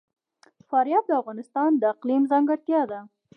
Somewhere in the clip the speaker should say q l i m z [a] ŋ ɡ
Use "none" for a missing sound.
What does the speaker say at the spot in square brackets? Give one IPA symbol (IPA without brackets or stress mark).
ɑ